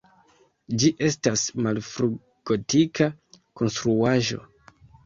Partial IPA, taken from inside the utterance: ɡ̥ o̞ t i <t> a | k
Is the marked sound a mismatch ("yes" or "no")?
yes